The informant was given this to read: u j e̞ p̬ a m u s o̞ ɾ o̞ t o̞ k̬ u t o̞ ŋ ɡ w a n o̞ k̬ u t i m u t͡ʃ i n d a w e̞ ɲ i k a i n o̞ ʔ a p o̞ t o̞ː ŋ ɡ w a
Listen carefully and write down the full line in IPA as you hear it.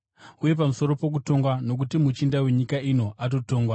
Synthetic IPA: u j e̞ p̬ a m u s o̞ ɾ o̞ p o̞ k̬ u t o̞ ŋ ɡ w a n o̞ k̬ u t i m u t͡ʃ i n d a w e̞ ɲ i k a i n o̞ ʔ a t o̞ t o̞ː ŋ ɡ w a